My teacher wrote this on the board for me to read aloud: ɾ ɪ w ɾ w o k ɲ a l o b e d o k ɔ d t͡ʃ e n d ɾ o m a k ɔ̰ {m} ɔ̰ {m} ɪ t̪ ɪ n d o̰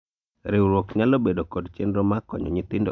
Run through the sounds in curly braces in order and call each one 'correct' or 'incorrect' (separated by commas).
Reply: incorrect, incorrect